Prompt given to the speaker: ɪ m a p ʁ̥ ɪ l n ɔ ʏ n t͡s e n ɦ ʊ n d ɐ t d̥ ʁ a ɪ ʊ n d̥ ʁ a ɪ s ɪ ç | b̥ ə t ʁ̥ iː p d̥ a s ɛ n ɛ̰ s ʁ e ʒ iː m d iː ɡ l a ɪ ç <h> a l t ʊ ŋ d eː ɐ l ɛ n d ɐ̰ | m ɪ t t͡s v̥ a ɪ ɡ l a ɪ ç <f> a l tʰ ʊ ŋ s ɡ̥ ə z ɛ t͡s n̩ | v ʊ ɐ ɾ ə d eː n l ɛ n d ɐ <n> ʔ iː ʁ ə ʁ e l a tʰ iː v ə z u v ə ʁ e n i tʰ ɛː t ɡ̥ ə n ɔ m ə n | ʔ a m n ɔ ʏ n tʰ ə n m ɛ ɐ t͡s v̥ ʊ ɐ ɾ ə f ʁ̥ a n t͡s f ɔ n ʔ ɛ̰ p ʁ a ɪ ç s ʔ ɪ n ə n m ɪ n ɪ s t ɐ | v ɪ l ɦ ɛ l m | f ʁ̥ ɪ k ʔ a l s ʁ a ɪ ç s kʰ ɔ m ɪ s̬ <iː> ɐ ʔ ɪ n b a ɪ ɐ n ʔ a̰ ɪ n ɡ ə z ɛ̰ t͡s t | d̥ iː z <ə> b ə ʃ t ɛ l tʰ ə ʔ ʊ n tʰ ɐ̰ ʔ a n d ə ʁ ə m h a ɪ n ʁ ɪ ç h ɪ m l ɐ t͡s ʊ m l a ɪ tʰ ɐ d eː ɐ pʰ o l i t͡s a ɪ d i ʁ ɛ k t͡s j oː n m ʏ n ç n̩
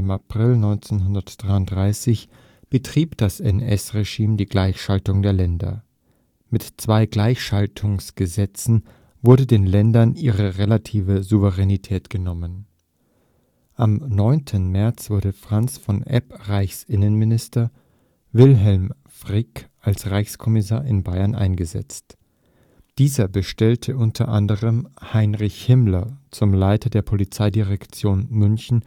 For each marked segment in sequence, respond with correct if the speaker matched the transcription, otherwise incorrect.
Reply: incorrect: ʃ, incorrect: ʃ, correct, incorrect: aː, incorrect: ɐ

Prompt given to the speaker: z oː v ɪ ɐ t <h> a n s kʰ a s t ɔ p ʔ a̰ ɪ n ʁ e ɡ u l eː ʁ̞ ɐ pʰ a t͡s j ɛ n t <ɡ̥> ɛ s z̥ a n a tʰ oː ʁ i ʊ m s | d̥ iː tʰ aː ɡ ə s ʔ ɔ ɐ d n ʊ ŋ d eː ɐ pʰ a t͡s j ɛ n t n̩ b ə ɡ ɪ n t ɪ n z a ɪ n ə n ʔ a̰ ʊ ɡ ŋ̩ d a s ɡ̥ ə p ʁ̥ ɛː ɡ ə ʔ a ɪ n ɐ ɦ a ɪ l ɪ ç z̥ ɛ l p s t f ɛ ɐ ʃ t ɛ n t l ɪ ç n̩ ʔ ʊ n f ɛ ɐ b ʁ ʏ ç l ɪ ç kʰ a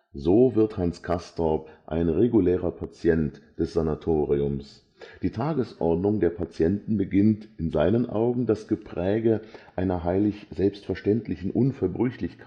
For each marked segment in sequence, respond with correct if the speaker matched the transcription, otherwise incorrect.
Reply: correct, incorrect: d̥

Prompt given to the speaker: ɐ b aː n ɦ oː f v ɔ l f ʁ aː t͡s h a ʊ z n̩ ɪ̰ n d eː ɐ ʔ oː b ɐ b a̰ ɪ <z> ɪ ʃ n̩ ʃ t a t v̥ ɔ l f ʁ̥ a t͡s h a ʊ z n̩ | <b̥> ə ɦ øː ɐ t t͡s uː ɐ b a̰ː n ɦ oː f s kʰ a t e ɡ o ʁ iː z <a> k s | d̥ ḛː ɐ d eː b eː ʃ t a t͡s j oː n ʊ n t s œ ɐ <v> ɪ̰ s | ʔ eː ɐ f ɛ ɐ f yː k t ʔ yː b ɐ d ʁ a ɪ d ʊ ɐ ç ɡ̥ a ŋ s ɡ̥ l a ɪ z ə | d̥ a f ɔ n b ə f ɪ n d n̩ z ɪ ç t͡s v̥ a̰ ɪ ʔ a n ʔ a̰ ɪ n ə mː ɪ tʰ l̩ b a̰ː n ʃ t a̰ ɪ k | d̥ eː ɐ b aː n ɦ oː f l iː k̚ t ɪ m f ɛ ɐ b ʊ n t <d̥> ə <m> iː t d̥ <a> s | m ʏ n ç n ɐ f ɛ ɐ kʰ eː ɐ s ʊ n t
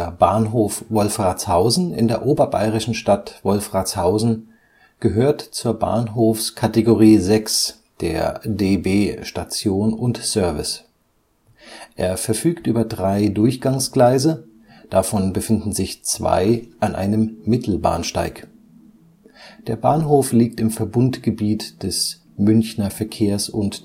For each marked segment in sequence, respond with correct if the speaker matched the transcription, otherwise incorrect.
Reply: incorrect: ʁ, incorrect: ɡ̥, incorrect: ɛ, correct, incorrect: ɡ̥, incorrect: b, incorrect: ɛ

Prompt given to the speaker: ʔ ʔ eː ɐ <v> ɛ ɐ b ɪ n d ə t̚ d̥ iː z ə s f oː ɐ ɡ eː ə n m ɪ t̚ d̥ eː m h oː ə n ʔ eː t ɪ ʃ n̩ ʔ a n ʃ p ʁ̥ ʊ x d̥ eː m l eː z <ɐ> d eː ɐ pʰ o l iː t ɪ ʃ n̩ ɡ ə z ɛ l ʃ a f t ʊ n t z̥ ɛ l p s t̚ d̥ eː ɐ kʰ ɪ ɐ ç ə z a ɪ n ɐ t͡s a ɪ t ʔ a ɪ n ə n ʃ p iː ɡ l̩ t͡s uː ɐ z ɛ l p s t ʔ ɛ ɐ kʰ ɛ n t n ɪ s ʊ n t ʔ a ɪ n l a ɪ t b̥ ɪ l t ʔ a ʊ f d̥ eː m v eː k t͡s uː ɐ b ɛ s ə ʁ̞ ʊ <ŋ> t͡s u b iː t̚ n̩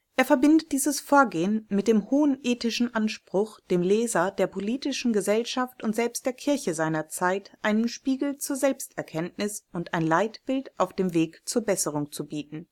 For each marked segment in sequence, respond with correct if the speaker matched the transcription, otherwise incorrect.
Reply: incorrect: f, correct, correct

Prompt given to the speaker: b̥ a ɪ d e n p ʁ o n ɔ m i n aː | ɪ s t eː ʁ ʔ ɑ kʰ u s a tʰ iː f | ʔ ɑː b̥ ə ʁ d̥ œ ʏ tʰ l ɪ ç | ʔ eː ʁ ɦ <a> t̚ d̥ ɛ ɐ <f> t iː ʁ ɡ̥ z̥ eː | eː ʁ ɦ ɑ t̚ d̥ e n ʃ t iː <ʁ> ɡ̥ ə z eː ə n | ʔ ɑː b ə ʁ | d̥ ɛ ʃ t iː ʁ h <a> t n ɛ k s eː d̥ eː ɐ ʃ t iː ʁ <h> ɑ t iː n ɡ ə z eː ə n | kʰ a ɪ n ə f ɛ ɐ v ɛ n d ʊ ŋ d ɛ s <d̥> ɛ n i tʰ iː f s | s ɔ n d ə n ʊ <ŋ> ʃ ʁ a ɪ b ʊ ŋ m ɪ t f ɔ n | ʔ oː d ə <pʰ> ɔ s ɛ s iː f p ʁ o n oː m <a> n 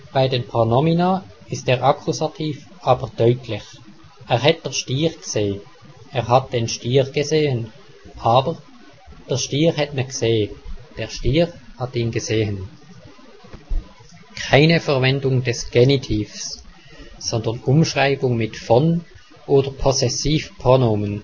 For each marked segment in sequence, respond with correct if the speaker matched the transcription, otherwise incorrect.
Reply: incorrect: ɛ, incorrect: ʃ, correct, incorrect: ɛ, correct, incorrect: ɡ̥, incorrect: m, correct, incorrect: ə

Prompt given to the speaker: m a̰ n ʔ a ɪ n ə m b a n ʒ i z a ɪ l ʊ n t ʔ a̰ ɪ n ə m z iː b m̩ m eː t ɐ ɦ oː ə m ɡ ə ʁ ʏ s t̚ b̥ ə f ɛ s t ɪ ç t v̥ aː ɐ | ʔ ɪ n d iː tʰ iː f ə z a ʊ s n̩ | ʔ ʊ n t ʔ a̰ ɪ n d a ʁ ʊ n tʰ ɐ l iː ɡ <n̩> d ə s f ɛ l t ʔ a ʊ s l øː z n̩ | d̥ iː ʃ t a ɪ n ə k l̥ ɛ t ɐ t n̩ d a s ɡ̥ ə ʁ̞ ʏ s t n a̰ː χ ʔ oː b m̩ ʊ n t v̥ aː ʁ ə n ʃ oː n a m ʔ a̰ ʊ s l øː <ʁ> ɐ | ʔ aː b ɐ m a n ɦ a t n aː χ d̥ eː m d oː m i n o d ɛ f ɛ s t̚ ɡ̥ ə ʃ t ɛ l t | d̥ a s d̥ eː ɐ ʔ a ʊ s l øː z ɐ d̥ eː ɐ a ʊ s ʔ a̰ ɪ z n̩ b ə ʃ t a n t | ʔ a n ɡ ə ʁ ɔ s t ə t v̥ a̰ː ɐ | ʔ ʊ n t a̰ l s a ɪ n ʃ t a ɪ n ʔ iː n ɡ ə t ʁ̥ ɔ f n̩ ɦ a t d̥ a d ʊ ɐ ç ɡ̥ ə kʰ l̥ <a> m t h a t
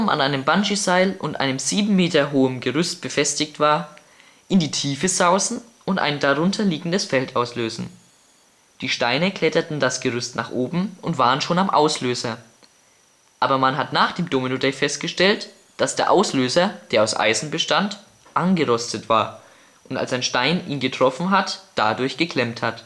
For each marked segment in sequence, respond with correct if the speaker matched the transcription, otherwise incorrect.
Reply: incorrect: ŋ̩, incorrect: z, incorrect: ɛ

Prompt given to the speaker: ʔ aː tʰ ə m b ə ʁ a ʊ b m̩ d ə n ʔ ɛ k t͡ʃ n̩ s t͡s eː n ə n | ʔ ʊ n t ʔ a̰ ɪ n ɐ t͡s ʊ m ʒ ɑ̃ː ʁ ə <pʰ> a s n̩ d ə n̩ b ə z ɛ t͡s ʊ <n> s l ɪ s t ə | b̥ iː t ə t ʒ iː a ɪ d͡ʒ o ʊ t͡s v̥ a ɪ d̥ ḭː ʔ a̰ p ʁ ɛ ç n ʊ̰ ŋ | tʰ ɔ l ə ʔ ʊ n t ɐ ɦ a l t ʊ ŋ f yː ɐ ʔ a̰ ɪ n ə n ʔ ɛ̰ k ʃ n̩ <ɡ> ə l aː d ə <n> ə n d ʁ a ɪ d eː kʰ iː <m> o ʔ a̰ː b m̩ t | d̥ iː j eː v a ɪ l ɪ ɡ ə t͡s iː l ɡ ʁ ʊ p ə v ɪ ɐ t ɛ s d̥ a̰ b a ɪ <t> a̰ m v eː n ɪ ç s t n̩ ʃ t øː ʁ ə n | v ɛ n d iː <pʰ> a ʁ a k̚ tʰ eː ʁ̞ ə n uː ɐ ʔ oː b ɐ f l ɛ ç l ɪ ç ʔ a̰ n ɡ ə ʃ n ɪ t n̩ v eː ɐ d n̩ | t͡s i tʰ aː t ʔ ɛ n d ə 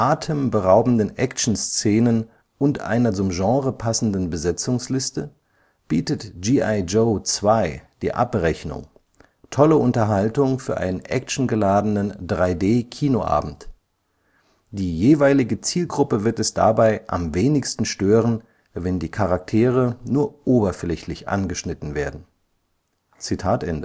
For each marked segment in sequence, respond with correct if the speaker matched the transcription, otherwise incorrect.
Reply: correct, incorrect: ŋ, correct, correct, incorrect: n, incorrect: ʔ, incorrect: kʰ

